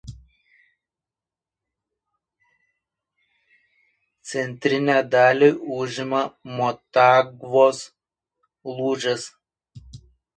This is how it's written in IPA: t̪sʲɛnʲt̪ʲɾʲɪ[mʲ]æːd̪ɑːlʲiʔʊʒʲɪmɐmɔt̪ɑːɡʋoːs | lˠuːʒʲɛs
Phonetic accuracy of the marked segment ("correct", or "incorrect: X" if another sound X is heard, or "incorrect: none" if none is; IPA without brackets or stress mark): incorrect: nʲ